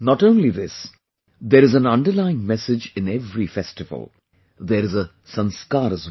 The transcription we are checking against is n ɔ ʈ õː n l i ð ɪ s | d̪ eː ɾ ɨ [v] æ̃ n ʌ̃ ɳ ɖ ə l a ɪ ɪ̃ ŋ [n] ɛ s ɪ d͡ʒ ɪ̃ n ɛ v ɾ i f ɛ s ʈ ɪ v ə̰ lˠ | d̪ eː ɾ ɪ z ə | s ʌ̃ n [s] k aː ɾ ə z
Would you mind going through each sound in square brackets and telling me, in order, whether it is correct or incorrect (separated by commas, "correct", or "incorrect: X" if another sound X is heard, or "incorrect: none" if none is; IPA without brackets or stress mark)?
incorrect: z, incorrect: m, correct